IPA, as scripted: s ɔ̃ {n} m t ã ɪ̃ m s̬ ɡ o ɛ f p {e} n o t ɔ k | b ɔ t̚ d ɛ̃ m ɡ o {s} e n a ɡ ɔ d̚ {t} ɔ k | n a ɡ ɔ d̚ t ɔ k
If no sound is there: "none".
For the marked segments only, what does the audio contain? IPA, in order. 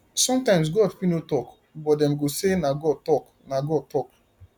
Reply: none, i, s, t

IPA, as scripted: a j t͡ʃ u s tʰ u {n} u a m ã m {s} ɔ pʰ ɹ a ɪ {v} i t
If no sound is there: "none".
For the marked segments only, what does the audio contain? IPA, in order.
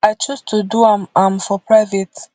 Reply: d, f, v

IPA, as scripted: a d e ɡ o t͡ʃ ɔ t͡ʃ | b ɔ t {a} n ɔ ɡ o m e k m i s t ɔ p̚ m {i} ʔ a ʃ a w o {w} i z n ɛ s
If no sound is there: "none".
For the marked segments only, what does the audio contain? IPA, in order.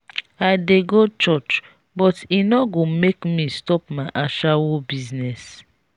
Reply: i, a, b

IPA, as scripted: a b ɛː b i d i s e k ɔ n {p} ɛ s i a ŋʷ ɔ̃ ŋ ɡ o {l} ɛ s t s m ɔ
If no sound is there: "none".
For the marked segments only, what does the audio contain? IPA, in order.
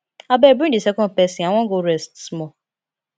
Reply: p, ɾ

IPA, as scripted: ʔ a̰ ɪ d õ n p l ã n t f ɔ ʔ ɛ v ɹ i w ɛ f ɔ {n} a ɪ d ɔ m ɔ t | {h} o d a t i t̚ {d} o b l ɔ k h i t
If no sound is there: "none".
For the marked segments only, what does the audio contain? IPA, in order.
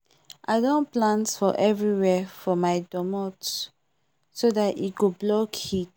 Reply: m, s, ɡ

